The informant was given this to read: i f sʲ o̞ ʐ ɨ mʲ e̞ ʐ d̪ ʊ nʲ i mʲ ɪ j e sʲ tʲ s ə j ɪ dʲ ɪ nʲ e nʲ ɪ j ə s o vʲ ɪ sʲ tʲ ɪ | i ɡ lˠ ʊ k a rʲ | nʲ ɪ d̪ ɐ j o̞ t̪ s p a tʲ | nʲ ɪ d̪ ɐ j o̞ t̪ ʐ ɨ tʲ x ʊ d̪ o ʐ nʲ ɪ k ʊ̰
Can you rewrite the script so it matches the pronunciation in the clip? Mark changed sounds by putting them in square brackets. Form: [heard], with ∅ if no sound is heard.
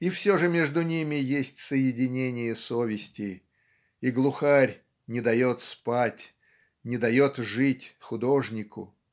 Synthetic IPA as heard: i f sʲ o̞ ʐ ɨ mʲ e̞ ʐ d̪ ʊ nʲ i mʲ ɪ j e sʲ tʲ s ə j ɪ dʲ ɪ nʲ e nʲ ɪ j ə s o vʲ ɪ sʲ tʲ ɪ | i ɡ lˠ ʊ [x] a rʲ | nʲ ɪ d̪ ɐ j o̞ t̪ s p a tʲ | nʲ ɪ d̪ ɐ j o̞ t̪ ʐ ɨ tʲ x ʊ d̪ o ʐ nʲ ɪ k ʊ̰

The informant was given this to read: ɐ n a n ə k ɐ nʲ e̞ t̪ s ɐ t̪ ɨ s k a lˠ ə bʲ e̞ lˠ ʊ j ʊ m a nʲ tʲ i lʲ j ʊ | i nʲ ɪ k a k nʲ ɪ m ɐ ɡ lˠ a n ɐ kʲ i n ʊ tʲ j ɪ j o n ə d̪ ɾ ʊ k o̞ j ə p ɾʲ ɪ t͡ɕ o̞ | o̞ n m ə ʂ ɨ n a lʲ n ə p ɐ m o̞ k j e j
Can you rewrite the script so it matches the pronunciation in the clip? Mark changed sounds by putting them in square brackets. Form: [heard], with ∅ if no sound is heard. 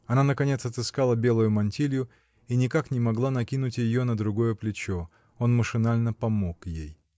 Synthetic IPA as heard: ɐ n a n ə k ɐ nʲ e̞ t̪ s ɐ t̪ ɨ s k a lˠ ə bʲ e̞ lˠ ʊ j ʊ m [ɐ] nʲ tʲ i lʲ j ʊ | i nʲ ɪ k a k nʲ ɪ m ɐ ɡ lˠ a n ɐ kʲ i n ʊ tʲ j ɪ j o n ə d̪ ɾ ʊ [ɡ] o̞ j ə p [lʲ] ɪ t͡ɕ o̞ | o̞ n m ə ʂ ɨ n a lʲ n ə p ɐ m o̞ k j e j

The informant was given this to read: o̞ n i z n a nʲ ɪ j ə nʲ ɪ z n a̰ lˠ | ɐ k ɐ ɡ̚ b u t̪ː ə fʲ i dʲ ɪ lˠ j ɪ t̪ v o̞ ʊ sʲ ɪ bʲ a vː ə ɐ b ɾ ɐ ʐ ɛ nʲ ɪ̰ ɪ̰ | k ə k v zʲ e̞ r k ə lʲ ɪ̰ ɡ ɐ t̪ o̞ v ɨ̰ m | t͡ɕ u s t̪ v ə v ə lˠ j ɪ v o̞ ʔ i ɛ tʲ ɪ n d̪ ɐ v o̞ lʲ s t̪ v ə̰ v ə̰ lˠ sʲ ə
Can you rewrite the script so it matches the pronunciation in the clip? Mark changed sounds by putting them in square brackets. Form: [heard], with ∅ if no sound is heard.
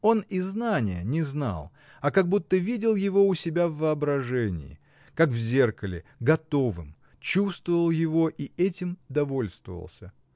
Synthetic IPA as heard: o̞ n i z n a nʲ ɪ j ə nʲ ɪ z n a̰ lˠ | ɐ k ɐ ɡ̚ b u t̪ː ə [vʲ] i dʲ ɪ lˠ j ɪ [∅] v o̞ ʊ sʲ ɪ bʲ a vː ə ɐ b ɾ ɐ ʐ ɛ nʲ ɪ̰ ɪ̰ | k [a] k v zʲ e̞ r k ə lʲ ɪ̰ ɡ ɐ t̪ o̞ v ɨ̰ m | t͡ɕ u s t̪ v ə v ə lˠ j ɪ v o̞ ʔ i ɛ tʲ ɪ [m] d̪ ɐ v o̞ lʲ s t̪ v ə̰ v ə̰ lˠ sʲ ə

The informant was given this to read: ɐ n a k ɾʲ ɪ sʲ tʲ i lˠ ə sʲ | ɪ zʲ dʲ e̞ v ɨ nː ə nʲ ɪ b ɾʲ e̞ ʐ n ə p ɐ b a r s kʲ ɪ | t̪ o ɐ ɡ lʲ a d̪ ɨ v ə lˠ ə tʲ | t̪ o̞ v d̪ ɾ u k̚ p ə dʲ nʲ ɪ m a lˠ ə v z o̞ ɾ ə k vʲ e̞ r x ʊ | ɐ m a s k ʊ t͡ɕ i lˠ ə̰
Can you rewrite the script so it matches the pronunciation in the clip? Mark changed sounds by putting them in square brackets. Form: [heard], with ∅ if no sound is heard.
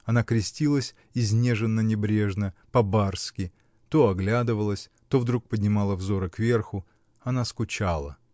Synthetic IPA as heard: ɐ n a k ɾʲ ɪ sʲ tʲ i lˠ ə sʲ | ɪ zʲ [nʲ] e̞ [ʐ] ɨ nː ə nʲ ɪ b ɾʲ e̞ ʐ n ə p ɐ b a r s kʲ ɪ | t̪ o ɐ ɡ lʲ a d̪ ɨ v ə lˠ ə [sʲ] | t̪ o̞ v d̪ ɾ u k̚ p ə dʲ nʲ ɪ m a lˠ ə v z o̞ ɾ ə k vʲ e̞ r x ʊ | ɐ [n] a s k ʊ t͡ɕ [a] lˠ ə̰

